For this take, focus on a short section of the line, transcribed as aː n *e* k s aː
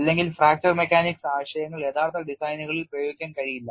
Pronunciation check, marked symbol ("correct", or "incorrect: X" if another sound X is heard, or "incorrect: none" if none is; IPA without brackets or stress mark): incorrect: i